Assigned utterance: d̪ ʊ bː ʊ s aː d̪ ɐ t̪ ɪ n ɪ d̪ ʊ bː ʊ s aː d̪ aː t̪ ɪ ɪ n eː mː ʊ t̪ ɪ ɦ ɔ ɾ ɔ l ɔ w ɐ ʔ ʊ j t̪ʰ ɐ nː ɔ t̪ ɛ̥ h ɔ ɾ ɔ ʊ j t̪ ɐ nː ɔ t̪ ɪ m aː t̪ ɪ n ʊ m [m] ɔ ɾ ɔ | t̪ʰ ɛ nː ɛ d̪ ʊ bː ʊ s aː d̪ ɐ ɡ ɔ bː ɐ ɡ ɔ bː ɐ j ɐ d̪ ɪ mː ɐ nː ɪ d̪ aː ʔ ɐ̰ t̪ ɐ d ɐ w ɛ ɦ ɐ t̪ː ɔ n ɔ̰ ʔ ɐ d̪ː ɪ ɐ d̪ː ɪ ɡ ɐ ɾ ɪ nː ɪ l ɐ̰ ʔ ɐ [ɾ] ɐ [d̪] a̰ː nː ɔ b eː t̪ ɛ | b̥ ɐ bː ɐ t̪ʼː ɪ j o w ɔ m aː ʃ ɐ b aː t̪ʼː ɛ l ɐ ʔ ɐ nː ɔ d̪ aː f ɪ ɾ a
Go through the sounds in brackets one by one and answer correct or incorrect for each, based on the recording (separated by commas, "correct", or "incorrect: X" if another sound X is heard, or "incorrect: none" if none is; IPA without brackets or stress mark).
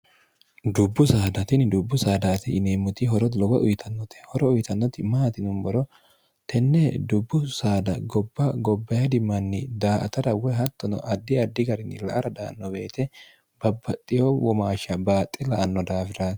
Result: incorrect: b, correct, correct